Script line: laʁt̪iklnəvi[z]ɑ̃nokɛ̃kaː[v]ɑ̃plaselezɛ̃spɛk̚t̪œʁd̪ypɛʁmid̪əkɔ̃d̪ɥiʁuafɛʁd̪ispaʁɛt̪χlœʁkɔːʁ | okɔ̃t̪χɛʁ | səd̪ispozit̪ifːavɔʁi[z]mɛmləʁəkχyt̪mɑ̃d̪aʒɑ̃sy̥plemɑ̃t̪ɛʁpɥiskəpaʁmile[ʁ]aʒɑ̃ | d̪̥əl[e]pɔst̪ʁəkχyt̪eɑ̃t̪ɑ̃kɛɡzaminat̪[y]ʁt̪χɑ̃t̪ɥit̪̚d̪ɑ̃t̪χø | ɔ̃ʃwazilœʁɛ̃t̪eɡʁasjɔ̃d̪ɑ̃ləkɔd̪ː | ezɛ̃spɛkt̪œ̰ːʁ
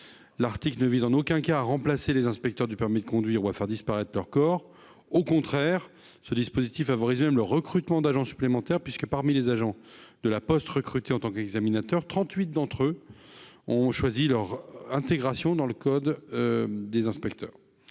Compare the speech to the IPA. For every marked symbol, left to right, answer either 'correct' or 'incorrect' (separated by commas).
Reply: correct, incorrect, correct, incorrect, incorrect, incorrect